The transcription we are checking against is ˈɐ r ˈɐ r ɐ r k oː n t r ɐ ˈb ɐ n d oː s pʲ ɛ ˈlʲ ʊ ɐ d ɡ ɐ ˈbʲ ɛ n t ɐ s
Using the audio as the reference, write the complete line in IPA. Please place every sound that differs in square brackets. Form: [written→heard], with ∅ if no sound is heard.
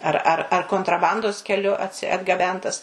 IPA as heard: ˈɐ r ˈɐ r ɐ r k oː n t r ɐ ˈb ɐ n d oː s [pʲ→kʲ] ɛ ˈlʲ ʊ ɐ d ɡ ɐ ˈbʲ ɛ n t ɐ s